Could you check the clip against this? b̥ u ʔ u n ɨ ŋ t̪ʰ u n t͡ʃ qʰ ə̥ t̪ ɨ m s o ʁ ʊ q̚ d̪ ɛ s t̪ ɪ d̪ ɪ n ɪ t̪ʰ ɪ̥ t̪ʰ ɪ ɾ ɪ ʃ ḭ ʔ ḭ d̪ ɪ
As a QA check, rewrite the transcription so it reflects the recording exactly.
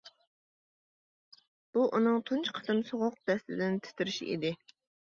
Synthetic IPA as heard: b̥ u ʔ u n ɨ ŋ t̪ʰ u n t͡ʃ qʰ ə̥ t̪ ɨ m s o ʁ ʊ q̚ d̪ ɛ s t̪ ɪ d̪ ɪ n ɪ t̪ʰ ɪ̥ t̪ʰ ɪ ɾ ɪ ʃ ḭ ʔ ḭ d̪ ɪ

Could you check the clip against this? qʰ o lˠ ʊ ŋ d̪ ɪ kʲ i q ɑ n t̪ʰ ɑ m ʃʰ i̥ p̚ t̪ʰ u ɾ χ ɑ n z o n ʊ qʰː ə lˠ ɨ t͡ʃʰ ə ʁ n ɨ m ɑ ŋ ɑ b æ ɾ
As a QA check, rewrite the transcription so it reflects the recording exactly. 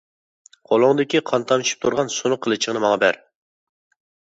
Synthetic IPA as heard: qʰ o lˠ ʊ ŋ d̪ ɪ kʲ i qʰ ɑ n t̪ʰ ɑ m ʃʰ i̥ p̚ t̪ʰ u ɾ ʁ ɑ n s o n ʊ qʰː ə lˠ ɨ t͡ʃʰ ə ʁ n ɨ m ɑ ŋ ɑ b æ ɾ

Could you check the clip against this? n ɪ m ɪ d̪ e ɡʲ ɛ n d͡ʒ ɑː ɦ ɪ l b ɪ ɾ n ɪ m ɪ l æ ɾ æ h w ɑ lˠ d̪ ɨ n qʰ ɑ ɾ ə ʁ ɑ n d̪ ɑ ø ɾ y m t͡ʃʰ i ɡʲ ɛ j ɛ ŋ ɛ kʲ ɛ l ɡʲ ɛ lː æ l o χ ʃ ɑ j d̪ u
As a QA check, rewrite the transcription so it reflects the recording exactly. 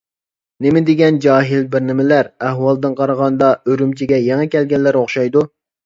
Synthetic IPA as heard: n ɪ m ɪ d̪ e ɡʲ ɛ n d͡ʒ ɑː ɦ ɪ l b ɪ ɾ n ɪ m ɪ l æ ɾ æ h w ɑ lˠ d̪ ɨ n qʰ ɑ ɾ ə ʁ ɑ n d̪ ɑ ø ɾ y m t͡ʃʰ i ɡʲ ɛ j ɛ ŋ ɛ kʲ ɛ l ɡʲ ɛ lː æ ɾ o χ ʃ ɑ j d̪ u

